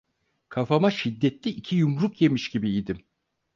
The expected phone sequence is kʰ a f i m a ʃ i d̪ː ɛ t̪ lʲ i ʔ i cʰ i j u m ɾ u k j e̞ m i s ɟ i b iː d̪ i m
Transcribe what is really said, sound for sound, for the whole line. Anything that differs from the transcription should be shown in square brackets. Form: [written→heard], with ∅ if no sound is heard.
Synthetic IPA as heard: kʰ a f [i→a] m a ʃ i d̪ː ɛ t̪ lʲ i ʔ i cʰ i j u m ɾ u k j e̞ m i [s→ʃ] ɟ i b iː d̪ i m